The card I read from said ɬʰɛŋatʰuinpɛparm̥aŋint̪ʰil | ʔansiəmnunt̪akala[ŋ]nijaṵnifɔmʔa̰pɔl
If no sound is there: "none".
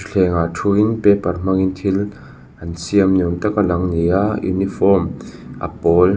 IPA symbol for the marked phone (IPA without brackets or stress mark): ŋ